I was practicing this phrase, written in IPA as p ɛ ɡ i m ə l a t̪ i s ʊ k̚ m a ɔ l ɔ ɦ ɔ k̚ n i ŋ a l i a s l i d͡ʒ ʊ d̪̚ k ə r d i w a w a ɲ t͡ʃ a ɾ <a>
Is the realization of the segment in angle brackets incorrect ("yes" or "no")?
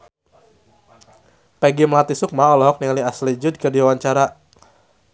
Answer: no